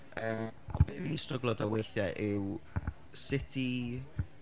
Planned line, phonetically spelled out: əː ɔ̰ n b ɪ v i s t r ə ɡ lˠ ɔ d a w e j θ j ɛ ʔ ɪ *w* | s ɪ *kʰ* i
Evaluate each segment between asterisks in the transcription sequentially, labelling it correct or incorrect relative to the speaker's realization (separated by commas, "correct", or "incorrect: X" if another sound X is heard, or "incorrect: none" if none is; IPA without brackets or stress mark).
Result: correct, incorrect: tʰ